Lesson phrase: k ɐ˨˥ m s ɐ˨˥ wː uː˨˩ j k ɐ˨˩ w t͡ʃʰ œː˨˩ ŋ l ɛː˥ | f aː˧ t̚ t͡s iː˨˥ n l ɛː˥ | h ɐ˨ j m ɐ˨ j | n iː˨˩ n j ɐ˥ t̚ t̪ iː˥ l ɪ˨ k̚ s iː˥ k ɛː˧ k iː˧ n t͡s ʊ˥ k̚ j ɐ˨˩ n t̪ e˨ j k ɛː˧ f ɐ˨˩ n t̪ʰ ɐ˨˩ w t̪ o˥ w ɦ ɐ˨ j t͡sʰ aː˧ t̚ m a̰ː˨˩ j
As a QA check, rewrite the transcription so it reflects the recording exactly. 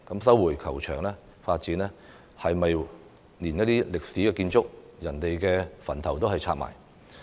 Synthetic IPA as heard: k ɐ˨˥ m s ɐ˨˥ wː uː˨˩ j kʰ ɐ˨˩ w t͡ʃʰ œː˨˩ ŋ l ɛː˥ | f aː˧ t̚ t͡s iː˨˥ n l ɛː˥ | h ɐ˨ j m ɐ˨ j | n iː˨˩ n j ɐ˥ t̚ t̪ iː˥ l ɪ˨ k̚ s iː˨˥ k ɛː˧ k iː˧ n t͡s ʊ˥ k̚ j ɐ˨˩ n t̪ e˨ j k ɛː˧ f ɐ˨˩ n t̪ʰ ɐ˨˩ w t̪ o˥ w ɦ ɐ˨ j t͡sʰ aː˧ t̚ m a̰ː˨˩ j